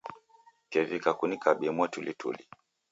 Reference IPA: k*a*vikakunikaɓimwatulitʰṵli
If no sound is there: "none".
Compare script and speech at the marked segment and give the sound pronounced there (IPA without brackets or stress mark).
ɛ